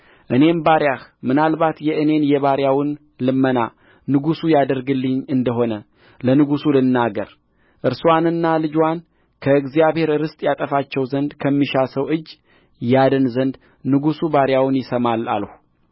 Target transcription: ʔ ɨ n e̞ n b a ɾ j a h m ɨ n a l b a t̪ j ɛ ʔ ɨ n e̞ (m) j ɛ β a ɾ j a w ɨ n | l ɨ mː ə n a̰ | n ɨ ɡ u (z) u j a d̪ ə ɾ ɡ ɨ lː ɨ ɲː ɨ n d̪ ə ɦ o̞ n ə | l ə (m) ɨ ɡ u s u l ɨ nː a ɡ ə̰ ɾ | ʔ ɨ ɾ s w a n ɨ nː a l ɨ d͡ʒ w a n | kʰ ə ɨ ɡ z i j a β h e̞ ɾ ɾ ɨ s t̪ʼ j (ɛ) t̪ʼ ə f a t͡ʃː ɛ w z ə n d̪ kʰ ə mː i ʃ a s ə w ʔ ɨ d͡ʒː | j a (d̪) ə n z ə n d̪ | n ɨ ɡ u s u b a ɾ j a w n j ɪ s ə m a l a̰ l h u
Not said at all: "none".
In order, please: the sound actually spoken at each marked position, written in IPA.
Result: n, s, n, a, d̪

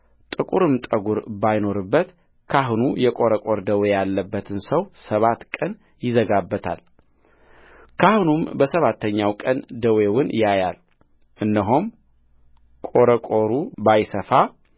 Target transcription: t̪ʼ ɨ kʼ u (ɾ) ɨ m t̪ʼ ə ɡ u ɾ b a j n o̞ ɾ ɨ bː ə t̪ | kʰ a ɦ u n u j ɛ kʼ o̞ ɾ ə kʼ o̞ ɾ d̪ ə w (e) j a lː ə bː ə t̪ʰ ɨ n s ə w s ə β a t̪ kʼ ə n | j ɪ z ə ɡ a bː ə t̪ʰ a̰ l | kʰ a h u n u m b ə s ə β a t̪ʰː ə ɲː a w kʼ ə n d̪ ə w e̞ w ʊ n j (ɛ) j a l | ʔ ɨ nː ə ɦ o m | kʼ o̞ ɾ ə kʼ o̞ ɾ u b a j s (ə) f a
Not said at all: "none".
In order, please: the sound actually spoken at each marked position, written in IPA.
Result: ɾ, e, a, ə

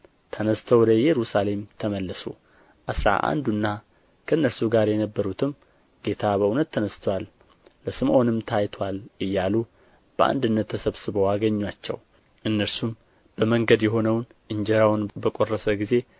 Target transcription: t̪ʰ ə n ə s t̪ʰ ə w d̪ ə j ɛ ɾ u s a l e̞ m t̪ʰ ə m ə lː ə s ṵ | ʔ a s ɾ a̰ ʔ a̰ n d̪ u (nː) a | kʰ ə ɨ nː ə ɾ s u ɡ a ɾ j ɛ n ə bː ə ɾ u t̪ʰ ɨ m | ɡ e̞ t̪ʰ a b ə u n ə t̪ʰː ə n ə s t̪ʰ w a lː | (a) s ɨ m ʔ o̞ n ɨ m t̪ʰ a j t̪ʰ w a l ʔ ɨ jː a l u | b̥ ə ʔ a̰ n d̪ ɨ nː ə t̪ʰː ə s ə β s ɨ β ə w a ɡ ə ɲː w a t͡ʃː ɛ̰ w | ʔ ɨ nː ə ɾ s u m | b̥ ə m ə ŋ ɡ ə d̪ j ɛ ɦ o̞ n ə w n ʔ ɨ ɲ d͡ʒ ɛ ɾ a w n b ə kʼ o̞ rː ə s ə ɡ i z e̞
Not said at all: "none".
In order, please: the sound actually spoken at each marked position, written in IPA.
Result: nː, ə

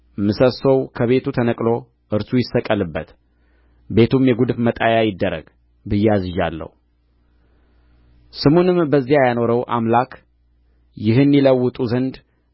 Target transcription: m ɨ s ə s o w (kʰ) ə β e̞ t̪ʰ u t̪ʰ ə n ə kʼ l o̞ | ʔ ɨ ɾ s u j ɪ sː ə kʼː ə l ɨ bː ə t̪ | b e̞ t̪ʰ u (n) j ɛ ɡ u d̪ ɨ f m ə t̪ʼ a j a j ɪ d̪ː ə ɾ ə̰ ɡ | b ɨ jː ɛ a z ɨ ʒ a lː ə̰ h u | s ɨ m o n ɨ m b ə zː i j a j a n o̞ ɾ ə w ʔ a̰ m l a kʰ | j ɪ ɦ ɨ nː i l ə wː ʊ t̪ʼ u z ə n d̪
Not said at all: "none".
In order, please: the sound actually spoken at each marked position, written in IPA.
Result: kʰ, m

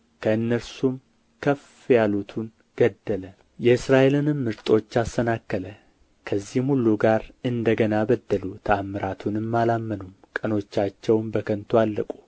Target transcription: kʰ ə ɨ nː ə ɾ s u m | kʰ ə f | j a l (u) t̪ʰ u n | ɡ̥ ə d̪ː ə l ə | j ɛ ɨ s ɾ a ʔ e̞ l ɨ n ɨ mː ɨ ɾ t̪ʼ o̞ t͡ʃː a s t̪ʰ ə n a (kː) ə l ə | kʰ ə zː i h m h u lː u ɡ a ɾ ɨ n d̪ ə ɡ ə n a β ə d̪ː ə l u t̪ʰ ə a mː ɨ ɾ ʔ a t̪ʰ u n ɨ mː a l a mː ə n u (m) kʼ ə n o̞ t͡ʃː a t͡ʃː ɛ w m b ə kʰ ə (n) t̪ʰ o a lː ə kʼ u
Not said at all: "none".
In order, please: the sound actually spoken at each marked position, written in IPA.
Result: u, kː, m, n

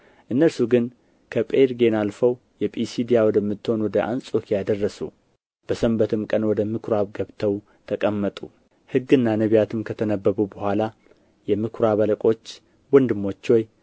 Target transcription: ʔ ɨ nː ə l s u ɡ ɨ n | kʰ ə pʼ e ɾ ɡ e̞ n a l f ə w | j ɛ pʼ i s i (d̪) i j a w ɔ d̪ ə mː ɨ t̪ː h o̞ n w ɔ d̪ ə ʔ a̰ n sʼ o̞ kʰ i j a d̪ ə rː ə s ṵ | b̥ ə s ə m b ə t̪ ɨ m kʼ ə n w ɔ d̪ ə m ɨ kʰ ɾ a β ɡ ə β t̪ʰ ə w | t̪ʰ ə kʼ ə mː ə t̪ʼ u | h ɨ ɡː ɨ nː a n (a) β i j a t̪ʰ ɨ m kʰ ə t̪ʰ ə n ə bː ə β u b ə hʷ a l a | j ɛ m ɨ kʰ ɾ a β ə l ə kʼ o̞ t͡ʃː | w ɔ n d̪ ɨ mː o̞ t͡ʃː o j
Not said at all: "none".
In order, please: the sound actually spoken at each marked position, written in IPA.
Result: d̪, ə

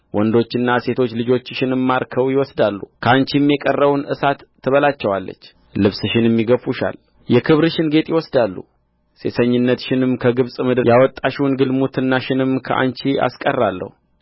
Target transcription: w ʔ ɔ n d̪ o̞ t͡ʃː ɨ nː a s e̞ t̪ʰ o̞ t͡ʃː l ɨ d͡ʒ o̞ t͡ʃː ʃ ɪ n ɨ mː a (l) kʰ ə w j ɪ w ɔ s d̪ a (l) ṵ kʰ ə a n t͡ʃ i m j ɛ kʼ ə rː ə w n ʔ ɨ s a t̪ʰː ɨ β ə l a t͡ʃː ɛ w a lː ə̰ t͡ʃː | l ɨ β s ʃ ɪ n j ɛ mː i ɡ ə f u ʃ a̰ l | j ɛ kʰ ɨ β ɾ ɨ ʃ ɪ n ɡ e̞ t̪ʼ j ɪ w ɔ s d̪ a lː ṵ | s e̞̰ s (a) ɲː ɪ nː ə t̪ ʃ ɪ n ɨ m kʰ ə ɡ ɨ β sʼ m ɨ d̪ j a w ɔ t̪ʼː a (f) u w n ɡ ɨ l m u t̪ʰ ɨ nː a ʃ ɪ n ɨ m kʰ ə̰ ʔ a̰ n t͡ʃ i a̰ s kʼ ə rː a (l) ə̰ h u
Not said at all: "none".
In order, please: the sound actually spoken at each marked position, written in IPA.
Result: ɾ, lː, ə, ʃ, lː

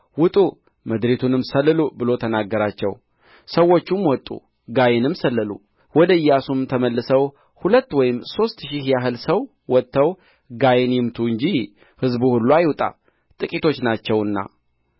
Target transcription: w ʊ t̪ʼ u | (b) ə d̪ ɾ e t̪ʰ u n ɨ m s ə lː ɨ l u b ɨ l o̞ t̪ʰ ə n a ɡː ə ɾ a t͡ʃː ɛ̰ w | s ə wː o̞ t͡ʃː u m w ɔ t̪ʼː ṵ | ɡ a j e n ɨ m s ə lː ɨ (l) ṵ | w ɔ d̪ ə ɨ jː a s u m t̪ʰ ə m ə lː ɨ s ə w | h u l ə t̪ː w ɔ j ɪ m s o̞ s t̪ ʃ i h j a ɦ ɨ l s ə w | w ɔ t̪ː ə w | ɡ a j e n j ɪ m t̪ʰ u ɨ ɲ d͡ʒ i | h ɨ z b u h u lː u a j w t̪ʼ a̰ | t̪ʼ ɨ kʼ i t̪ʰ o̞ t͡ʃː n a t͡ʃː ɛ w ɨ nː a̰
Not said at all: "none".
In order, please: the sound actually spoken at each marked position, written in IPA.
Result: m, l

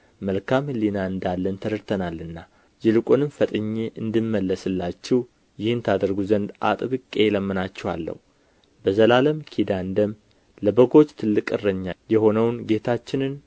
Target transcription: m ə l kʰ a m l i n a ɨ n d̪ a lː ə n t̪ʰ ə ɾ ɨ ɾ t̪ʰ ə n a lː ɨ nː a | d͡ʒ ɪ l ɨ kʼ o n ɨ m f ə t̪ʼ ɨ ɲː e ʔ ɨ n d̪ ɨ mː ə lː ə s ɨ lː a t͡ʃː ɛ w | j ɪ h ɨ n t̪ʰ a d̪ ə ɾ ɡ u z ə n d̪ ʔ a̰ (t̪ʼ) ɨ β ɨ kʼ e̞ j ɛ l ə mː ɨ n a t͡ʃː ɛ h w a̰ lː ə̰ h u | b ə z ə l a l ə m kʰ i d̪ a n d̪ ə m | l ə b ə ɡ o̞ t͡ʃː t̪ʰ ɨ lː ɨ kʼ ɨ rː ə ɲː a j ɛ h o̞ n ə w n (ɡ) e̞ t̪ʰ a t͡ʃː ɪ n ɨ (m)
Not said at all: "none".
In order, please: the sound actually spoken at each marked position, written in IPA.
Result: t̪ʼ, ɡ, n

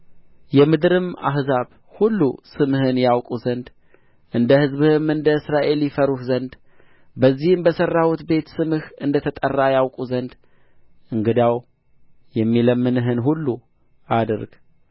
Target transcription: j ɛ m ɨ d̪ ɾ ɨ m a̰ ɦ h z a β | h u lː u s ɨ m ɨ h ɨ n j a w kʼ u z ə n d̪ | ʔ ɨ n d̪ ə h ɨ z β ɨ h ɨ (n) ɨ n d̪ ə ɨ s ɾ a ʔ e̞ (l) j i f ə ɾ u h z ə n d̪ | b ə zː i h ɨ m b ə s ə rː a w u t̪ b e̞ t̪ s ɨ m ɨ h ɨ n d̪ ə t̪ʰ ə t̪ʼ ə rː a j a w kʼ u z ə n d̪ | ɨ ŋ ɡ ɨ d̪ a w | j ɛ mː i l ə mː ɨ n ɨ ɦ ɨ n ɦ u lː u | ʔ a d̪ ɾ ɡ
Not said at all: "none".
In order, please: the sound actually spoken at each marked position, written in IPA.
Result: m, l

